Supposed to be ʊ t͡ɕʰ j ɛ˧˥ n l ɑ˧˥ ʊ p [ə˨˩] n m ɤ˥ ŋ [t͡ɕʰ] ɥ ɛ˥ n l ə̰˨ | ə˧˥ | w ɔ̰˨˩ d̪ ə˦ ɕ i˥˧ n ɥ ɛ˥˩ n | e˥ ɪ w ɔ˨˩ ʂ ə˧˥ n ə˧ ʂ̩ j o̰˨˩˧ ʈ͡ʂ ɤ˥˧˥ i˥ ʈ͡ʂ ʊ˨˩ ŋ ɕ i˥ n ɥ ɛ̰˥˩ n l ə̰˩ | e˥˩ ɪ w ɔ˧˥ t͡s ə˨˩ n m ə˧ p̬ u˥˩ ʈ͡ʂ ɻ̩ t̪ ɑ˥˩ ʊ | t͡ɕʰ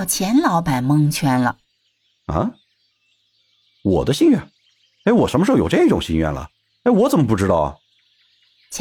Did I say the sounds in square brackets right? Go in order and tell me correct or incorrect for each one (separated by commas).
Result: incorrect, correct